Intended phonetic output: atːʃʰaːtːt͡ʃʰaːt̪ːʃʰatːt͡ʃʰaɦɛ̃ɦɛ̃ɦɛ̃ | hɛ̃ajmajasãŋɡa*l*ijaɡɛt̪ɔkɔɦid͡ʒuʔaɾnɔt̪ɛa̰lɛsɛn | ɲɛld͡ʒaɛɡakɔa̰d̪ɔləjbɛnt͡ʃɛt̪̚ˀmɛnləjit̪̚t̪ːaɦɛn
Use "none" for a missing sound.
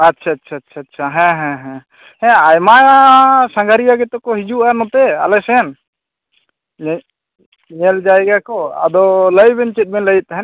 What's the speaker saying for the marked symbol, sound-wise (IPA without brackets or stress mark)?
ɾ